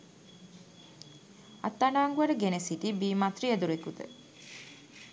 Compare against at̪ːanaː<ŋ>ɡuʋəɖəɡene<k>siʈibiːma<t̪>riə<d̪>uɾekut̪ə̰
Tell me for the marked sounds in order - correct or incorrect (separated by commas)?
correct, incorrect, correct, correct